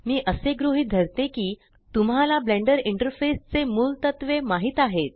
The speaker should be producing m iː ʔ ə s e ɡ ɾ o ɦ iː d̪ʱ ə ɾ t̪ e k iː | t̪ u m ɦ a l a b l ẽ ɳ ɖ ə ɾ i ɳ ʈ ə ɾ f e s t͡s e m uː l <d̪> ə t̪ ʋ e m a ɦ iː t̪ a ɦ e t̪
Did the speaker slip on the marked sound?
yes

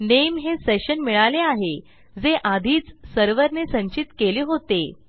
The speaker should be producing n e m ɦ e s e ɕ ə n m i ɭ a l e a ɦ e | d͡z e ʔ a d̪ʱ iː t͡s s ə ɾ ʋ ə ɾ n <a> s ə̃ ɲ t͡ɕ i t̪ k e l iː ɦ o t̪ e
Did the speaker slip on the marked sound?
yes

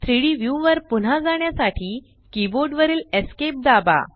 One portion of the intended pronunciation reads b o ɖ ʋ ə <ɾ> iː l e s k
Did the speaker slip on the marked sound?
no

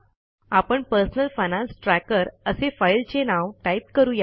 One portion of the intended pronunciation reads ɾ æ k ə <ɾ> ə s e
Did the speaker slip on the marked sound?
no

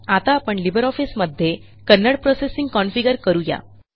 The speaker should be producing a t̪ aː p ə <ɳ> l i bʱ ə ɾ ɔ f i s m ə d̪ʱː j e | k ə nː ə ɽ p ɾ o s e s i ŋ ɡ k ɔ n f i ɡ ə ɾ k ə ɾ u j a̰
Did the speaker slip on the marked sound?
no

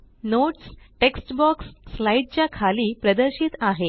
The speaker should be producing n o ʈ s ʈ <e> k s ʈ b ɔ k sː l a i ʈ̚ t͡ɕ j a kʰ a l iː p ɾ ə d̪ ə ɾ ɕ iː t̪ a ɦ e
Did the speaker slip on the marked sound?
no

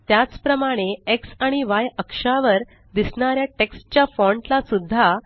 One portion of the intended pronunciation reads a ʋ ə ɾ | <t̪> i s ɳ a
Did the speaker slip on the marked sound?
yes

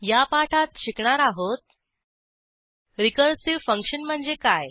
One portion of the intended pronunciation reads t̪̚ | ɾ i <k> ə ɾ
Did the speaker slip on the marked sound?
no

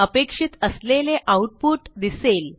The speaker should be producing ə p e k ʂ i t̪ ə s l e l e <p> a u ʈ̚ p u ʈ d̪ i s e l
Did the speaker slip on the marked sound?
yes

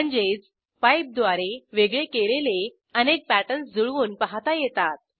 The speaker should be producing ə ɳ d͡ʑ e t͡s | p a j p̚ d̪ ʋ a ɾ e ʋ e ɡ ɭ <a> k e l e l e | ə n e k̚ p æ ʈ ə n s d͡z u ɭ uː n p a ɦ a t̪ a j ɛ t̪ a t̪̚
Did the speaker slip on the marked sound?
yes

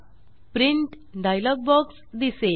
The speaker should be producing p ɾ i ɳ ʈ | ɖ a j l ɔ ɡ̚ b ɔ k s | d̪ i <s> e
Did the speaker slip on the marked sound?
no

